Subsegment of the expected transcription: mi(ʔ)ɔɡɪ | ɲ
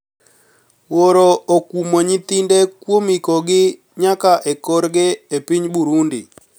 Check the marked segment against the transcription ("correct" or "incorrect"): incorrect